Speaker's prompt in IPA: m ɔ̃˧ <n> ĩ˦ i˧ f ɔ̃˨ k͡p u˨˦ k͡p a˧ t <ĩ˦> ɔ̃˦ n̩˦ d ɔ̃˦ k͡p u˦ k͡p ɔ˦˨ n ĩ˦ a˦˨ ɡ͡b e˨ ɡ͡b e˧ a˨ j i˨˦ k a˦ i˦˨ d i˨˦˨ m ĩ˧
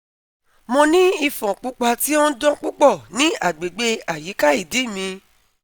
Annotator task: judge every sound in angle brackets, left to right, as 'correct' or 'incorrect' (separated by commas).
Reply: correct, incorrect